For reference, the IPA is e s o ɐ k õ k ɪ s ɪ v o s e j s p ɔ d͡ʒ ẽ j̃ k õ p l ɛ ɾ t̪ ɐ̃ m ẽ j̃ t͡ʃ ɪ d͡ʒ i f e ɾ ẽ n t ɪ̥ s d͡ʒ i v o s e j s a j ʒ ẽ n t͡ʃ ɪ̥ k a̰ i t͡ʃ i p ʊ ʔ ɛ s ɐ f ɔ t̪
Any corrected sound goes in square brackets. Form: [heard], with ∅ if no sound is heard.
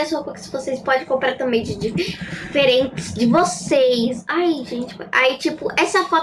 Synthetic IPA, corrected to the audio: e s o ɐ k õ k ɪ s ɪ v o s e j s p ɔ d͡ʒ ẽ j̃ k õ p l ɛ ɾ t̪ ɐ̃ m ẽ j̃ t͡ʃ ɪ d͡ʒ i f e ɾ ẽ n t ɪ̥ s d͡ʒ [ɪ] v o s e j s a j ʒ ẽ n t͡ʃ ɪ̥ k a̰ i t͡ʃ i p ʊ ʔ ɛ s ɐ f ɔ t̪